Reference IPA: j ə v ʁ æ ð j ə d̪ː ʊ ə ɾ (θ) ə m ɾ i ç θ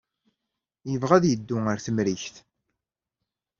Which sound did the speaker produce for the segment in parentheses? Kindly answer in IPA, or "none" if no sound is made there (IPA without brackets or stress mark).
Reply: θ